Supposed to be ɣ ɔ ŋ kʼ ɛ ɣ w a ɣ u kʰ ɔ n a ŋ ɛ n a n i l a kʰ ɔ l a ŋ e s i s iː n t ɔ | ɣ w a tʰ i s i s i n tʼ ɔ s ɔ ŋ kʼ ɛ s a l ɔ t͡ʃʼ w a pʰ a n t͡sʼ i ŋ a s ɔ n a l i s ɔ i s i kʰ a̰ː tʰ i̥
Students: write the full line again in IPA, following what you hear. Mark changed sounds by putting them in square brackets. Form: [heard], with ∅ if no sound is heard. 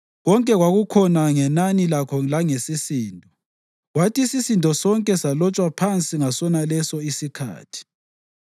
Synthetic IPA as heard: ɣ ɔ ŋ kʼ ɛ ɣ w a ɣ u kʰ ɔ n a ŋ ɛ n a n i l a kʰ ɔ l a ŋ e s i s iː n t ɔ | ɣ w a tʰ i s i s i n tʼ ɔ s ɔ ŋ kʼ ɛ s a l ɔ t͡ʃʼ w a pʰ a n t͡sʼ i ŋ a s ɔ n a l [ɛ] s ɔ i s i kʰ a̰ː tʰ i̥